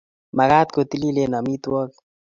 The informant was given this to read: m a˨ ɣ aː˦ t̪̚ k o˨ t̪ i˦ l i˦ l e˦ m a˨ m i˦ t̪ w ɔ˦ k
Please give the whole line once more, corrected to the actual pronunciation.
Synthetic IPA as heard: m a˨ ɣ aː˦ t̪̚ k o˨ t̪ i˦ l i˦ l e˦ n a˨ m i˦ t̪ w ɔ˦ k